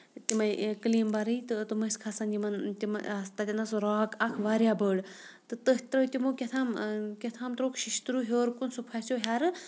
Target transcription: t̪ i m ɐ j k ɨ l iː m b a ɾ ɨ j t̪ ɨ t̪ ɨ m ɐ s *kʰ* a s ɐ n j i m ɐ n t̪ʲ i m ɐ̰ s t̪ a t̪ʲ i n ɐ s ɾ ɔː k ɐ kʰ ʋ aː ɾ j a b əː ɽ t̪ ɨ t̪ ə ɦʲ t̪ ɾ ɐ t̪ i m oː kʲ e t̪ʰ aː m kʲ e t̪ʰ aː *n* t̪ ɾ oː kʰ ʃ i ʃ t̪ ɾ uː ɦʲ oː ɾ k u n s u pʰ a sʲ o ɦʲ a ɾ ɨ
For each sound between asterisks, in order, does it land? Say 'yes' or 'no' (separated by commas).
yes, no